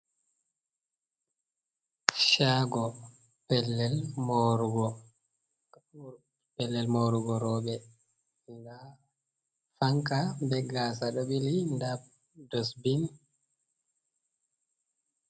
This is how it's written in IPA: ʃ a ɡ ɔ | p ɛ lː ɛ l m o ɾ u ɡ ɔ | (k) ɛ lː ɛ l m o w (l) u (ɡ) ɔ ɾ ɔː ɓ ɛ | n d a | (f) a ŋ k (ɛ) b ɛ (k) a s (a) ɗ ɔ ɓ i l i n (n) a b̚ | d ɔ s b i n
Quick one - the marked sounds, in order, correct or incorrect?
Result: incorrect, incorrect, correct, correct, incorrect, incorrect, correct, incorrect

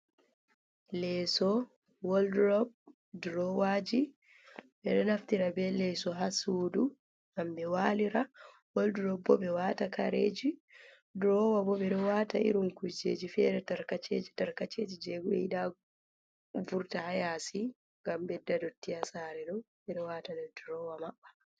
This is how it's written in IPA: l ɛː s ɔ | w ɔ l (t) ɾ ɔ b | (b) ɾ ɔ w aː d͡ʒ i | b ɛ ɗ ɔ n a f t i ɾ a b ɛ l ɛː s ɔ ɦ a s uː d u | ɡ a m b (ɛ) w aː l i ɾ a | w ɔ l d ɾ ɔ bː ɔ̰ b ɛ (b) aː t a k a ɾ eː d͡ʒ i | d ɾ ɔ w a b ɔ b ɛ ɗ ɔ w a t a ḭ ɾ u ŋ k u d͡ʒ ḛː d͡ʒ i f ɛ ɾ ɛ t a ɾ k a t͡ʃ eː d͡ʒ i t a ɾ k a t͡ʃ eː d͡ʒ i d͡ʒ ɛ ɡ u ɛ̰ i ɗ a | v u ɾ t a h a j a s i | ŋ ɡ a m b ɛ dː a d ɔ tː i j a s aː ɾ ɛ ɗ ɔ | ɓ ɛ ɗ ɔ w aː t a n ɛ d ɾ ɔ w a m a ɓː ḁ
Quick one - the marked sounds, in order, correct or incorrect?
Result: incorrect, incorrect, correct, incorrect

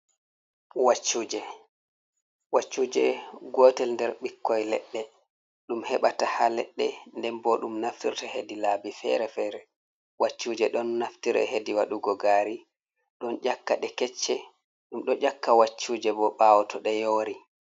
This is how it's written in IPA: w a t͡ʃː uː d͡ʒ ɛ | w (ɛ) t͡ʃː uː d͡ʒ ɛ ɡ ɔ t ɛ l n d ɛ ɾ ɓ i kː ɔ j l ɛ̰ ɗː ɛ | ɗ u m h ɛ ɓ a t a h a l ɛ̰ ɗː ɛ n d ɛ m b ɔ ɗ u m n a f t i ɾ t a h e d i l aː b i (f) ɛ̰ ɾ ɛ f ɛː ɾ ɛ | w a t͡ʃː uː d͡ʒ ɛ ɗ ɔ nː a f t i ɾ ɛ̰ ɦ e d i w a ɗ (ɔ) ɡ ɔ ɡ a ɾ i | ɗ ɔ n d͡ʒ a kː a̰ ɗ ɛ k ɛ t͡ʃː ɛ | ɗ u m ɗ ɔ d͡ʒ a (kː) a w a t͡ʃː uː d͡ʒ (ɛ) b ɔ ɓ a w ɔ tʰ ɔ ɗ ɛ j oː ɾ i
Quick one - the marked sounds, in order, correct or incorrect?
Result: incorrect, correct, incorrect, correct, correct

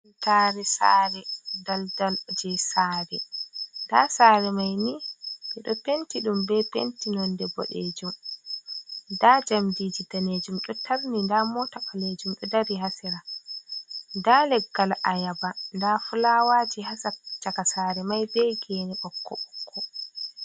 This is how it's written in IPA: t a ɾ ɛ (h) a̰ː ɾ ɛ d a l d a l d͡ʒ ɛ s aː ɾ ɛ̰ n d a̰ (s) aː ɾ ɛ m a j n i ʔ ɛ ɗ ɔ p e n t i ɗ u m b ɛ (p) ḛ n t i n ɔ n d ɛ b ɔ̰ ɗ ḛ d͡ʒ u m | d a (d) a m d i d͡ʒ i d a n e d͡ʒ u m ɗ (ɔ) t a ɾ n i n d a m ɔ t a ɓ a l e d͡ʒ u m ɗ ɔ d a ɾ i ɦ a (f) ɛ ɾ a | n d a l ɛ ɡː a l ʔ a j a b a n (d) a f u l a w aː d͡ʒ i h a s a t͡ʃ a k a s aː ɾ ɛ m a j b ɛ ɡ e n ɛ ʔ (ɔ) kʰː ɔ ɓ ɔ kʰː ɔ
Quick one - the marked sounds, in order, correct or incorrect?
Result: incorrect, correct, correct, incorrect, correct, incorrect, correct, correct

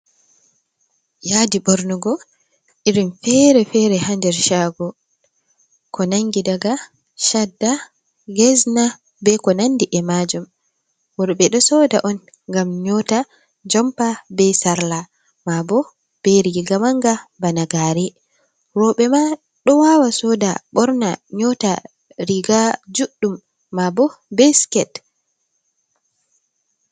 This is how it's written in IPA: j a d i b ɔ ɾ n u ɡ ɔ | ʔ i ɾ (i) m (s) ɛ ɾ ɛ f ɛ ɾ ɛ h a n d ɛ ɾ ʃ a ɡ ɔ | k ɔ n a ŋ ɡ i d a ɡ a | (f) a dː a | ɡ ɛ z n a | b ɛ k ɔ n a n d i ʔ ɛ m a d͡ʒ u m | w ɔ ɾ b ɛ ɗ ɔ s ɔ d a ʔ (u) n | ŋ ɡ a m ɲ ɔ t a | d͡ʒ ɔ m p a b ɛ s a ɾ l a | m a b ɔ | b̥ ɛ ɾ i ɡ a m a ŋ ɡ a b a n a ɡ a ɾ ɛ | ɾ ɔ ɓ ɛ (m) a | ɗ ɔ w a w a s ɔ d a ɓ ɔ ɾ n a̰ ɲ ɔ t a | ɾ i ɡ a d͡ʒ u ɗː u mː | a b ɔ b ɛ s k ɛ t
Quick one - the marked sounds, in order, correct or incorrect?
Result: correct, incorrect, incorrect, incorrect, correct

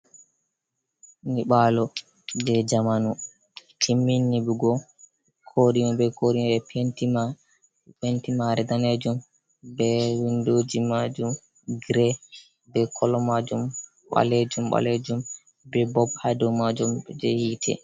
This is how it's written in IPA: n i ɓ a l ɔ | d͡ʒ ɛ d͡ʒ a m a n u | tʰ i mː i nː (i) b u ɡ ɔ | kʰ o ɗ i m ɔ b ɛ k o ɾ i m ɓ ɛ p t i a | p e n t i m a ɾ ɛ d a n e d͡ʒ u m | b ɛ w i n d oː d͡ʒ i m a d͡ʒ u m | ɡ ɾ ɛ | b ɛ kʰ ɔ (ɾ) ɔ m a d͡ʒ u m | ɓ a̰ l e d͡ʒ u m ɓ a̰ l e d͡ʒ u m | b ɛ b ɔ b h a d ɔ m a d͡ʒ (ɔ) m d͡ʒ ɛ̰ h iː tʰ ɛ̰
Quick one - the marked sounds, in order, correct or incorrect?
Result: correct, incorrect, incorrect

